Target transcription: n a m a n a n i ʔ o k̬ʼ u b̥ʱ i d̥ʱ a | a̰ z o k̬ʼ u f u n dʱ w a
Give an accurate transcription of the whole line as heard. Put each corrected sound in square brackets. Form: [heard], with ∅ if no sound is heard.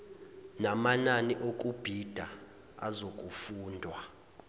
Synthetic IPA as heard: n a m a n a n i ʔ o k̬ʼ u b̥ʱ i d̥ʱ a | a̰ z o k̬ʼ u f [uː] n dʱ w a

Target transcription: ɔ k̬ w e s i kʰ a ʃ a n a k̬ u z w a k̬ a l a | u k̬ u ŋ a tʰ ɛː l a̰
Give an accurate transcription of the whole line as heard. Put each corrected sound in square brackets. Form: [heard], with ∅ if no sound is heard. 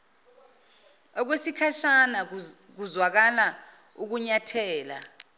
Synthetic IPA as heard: ɔ k̬ w e s i kʰ a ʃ a n a k̬ u z w a k̬ a l a | u k̬ u [ɲ] a tʰ ɛː l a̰

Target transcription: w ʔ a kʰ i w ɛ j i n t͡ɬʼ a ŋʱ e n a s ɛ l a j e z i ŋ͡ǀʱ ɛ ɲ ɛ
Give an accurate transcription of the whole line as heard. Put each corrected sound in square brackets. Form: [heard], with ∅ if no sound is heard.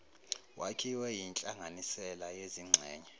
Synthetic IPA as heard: w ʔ a kʰ i w ɛ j i n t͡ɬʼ a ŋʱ [a] n [i] s ɛ l a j e z i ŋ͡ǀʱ [ɛː] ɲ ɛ

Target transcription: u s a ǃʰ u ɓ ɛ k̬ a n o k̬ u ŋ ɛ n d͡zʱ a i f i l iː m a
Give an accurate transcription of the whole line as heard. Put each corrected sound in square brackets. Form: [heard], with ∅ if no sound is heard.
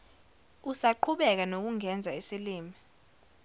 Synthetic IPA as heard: u s a ǃʰ u ɓ ɛ k̬ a n o k̬ u ŋ ɛ n d͡zʱ a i [s] i l iː m [i]

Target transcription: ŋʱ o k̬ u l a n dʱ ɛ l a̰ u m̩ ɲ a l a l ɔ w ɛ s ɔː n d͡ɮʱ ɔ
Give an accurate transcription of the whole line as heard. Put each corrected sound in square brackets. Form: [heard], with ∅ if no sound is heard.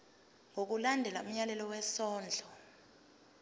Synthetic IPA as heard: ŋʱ o k̬ u l a n dʱ ɛ l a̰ u m̩ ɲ a l [ɛ] l ɔ w ɛ s ɔː n d͡ɮʱ ɔ

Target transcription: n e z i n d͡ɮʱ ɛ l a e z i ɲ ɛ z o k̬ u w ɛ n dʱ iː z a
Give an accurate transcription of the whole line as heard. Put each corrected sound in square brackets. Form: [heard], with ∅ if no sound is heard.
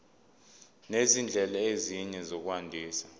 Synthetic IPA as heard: n e z i n d͡ɮʱ ɛ l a e z i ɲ ɛ z o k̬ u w [a] n dʱ iː [s] a

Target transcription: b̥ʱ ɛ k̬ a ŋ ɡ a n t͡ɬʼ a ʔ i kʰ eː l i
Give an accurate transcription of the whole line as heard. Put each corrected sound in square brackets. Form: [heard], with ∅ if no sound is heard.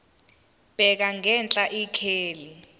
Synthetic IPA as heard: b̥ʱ ɛ k̬ a ŋ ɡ [ɛ] n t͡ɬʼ a ʔ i kʰ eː l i

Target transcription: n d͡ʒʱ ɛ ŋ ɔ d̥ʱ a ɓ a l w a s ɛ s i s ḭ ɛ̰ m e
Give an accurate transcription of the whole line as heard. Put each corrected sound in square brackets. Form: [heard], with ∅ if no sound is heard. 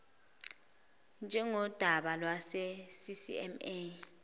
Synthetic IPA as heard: n d͡ʒʱ ɛ ŋ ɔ d̥ʱ a ɓ a l w a s ɛ s i s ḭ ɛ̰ m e

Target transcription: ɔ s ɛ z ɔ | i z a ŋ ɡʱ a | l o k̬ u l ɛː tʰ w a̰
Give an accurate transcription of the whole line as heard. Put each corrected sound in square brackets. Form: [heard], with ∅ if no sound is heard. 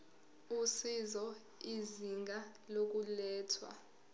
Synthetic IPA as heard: [u] s [i] z ɔ | i z [i] ŋ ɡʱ a | l o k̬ u l ɛː tʰ w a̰

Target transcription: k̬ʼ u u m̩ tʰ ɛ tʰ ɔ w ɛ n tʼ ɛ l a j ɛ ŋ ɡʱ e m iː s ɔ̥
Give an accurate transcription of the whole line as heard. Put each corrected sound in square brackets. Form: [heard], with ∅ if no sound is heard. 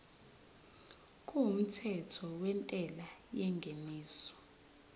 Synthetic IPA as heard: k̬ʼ u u m̩ tʰ ɛ tʰ ɔ w ɛ n tʼ ɛ l a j ɛ ŋ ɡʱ e m iː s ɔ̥

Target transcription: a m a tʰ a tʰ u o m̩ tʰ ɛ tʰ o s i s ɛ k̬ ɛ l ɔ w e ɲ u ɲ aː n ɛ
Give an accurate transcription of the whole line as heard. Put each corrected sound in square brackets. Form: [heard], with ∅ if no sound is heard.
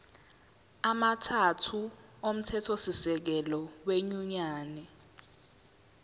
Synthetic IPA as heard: a m a tʰ a tʰ u o m̩ tʰ ɛ tʰ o s i s ɛ k̬ ɛ l ɔ w e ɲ u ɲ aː n ɛ

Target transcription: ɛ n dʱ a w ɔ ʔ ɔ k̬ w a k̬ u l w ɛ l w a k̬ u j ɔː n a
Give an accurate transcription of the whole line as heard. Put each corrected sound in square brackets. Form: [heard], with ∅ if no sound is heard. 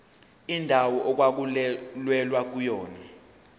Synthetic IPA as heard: [i] n dʱ a w ɔ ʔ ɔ k̬ w a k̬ u l w ɛ l w a k̬ u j ɔː n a

